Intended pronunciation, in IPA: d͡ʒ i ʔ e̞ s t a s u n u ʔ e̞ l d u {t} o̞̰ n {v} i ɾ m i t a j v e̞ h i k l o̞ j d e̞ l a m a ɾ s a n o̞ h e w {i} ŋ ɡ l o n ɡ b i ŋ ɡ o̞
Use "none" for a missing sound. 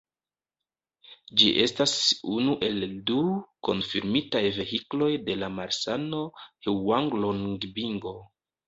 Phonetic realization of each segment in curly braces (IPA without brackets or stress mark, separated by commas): k, f, a